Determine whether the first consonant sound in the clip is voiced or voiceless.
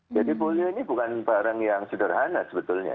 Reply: voiced